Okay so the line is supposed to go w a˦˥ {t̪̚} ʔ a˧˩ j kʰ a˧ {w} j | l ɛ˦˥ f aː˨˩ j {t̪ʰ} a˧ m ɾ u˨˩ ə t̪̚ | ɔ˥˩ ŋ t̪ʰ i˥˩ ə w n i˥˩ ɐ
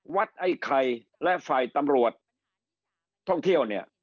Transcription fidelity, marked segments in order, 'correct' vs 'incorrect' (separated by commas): correct, incorrect, incorrect